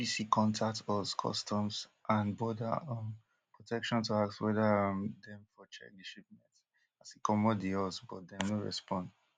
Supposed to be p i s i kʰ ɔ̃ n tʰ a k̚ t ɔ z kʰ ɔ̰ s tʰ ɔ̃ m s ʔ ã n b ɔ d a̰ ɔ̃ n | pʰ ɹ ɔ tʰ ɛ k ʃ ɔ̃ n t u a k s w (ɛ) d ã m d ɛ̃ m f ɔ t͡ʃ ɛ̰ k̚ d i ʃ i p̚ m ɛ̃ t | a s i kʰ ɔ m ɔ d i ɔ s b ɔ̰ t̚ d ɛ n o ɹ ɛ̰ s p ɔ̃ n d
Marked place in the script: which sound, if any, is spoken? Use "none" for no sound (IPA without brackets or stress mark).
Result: ɛ